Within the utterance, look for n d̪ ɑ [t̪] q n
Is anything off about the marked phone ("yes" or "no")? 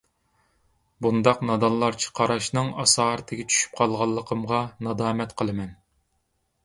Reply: yes